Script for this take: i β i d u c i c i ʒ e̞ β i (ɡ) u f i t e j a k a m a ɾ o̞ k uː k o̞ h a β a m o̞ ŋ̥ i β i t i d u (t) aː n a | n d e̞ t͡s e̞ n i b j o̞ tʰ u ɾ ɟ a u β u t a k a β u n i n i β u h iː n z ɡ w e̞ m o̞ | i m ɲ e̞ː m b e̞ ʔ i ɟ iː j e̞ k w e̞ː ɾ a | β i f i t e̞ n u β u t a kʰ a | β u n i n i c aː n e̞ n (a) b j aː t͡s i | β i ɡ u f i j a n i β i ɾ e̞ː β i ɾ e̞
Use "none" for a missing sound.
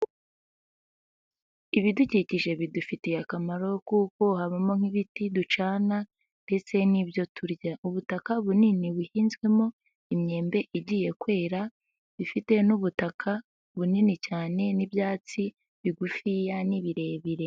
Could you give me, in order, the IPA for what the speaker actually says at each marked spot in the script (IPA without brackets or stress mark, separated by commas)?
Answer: d, t͡ʃ, i